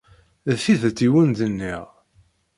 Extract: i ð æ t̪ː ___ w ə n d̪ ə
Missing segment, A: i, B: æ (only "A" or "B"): A